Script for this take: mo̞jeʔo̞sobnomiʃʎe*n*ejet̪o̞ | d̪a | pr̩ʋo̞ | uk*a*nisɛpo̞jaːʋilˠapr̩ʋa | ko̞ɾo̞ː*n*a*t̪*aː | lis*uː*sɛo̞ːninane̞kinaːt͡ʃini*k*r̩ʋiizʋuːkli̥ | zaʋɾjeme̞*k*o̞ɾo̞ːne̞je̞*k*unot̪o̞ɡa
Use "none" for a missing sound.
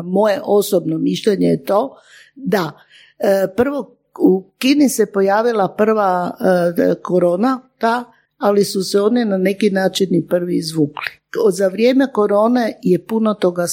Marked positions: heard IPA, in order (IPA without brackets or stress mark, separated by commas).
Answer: ɲ, i, n, t̪, u, p, k, p